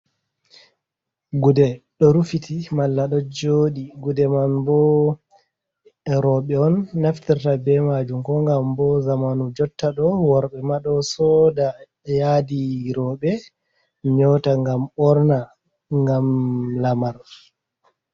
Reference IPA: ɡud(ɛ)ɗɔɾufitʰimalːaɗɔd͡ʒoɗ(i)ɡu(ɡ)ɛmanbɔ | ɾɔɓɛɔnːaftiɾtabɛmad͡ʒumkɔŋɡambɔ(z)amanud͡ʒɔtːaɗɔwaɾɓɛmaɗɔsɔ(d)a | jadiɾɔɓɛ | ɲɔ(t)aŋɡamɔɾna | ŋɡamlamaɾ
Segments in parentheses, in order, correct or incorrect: correct, correct, incorrect: d, correct, correct, correct

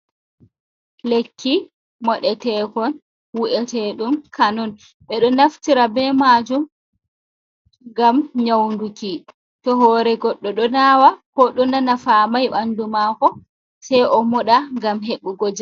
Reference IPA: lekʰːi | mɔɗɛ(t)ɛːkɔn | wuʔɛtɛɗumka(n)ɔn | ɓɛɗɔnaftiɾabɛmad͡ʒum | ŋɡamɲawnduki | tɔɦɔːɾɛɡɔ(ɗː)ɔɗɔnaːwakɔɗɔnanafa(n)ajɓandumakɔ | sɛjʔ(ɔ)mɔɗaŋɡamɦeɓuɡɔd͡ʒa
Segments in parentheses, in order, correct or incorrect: correct, correct, correct, incorrect: m, correct

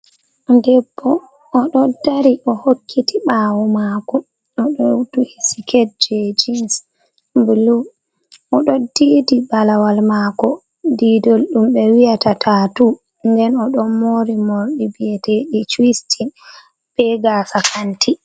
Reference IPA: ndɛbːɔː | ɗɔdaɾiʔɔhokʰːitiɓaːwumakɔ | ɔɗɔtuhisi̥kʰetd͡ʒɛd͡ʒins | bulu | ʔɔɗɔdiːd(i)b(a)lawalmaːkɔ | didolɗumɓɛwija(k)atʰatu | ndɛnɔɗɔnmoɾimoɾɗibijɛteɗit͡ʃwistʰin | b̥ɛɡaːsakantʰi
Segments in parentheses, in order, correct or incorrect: correct, correct, incorrect: t

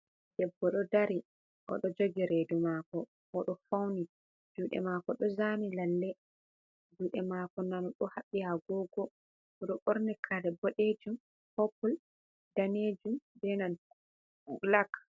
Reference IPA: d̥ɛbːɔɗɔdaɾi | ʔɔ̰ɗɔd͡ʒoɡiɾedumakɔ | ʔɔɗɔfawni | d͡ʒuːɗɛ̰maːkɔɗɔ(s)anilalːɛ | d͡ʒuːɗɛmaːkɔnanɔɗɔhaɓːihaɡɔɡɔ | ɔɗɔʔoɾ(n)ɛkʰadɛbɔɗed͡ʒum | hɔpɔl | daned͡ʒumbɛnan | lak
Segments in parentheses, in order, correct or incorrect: incorrect: z, correct

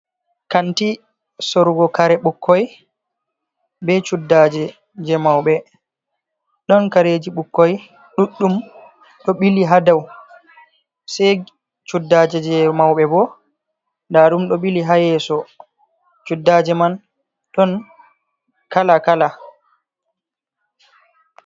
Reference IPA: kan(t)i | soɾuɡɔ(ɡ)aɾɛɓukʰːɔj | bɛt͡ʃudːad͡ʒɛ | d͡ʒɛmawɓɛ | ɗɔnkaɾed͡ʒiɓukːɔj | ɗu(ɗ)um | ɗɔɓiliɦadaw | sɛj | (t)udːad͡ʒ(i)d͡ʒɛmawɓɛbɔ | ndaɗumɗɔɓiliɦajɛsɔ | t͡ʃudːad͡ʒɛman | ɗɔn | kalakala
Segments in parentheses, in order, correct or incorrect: correct, incorrect: k, incorrect: ɗː, incorrect: t͡ʃ, incorrect: ɛ

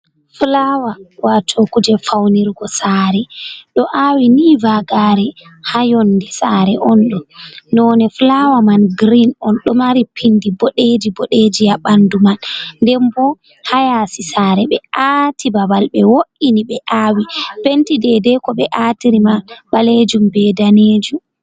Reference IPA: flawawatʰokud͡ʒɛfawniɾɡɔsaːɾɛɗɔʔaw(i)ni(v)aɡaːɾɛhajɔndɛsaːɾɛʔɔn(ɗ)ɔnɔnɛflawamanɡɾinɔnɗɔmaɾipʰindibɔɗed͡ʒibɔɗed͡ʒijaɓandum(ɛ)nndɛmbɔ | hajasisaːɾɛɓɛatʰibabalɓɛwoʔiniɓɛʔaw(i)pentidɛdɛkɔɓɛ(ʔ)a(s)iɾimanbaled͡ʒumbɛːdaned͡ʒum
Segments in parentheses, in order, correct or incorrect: correct, correct, correct, incorrect: a, correct, correct, incorrect: t

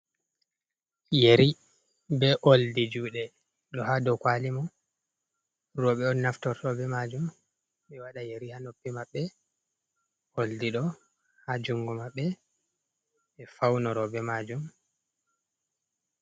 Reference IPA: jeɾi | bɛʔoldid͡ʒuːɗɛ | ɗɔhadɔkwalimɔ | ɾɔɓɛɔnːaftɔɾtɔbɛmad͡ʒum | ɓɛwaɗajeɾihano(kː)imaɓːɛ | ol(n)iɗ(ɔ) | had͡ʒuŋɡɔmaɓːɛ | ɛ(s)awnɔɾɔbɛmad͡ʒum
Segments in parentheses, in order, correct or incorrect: incorrect: pː, incorrect: d, correct, incorrect: f

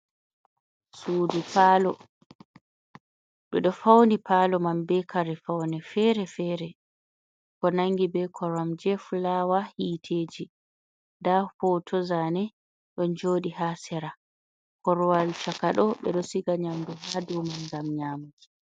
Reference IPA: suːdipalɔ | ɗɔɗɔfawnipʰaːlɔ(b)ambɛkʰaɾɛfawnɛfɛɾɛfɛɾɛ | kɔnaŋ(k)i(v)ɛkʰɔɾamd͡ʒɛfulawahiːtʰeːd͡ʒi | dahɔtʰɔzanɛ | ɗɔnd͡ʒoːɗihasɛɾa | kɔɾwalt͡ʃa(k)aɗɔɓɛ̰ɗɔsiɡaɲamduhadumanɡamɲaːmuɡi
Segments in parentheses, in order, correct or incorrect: incorrect: m, incorrect: ɡ, incorrect: b, correct

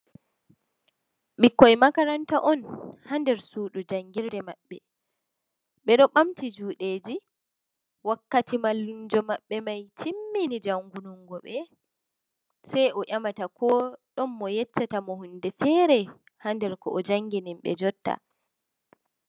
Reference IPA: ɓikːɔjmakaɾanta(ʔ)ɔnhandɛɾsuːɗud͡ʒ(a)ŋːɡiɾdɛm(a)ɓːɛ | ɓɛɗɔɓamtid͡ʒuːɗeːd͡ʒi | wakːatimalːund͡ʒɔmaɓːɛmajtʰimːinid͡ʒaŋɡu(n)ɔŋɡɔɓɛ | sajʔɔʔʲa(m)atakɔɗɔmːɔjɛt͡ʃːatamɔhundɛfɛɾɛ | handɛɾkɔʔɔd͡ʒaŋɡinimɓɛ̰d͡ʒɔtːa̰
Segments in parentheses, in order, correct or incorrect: correct, correct, correct, correct, correct

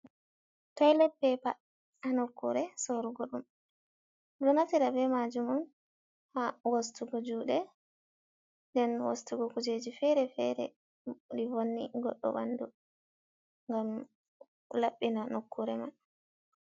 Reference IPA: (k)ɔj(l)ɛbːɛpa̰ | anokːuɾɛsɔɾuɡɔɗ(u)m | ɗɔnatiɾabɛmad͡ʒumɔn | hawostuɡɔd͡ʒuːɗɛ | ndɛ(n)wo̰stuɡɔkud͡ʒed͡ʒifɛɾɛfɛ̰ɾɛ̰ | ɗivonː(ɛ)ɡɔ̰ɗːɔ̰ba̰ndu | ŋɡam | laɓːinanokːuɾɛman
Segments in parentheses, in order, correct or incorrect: incorrect: t, correct, correct, correct, incorrect: i

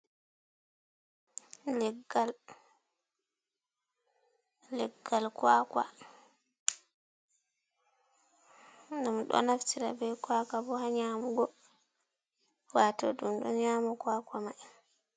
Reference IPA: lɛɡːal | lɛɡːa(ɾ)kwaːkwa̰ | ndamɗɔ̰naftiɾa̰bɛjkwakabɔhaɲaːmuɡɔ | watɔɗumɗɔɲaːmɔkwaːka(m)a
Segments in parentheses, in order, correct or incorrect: incorrect: l, correct

